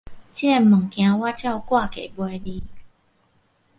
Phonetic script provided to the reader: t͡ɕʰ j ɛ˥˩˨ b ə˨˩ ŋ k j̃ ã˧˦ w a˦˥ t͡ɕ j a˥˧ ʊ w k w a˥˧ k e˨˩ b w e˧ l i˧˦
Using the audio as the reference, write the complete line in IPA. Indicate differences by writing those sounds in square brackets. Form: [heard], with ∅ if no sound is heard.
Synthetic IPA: [t͡ɕ] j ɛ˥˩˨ [m] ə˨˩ ŋ k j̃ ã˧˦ w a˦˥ t͡ɕ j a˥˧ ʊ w k w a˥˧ k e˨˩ b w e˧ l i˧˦